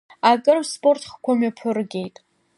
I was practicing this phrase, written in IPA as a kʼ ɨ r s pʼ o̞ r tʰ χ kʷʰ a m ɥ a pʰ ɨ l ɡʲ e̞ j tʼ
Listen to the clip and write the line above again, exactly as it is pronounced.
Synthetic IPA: a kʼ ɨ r s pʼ o̞ r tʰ χ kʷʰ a m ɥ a pʰ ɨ r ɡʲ e̞ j tʼ